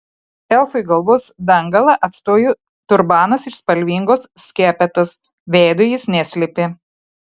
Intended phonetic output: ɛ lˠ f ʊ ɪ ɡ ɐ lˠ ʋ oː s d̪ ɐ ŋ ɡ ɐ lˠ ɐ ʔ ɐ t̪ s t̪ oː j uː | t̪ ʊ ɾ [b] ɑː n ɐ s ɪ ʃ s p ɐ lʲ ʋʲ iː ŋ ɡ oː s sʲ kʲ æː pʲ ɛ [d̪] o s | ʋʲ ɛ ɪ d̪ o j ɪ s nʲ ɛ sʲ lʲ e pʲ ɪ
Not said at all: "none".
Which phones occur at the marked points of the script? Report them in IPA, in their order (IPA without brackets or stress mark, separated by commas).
b, t̪